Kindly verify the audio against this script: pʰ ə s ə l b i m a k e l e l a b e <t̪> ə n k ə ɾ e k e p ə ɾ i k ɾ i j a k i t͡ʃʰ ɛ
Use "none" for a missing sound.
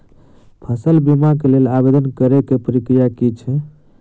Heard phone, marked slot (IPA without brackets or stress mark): d̪